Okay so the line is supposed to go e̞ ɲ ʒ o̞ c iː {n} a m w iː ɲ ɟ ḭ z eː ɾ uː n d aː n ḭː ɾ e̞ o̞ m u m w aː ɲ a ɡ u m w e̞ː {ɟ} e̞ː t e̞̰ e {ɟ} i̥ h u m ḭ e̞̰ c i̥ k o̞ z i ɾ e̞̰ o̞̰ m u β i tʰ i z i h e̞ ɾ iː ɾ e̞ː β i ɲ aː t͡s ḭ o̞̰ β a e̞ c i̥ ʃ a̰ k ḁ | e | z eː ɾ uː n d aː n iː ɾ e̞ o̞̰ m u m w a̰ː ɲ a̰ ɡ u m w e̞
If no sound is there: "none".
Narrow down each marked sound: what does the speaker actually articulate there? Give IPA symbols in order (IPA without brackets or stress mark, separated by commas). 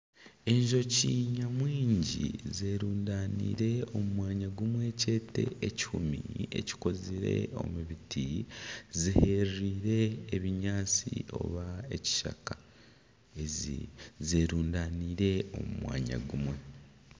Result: ɲ, c, c